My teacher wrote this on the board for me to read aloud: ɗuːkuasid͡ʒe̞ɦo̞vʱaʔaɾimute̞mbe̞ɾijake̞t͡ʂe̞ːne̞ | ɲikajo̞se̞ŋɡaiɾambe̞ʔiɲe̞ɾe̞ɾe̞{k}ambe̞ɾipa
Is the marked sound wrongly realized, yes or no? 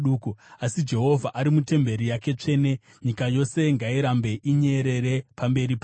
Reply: yes